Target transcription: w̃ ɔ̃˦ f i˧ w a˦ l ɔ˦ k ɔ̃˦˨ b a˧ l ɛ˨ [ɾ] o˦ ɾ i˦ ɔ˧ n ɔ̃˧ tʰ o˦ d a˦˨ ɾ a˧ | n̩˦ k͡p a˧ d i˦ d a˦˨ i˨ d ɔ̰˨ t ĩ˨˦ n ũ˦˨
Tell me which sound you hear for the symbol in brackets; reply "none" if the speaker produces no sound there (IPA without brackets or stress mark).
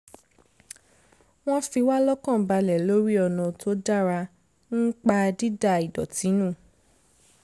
l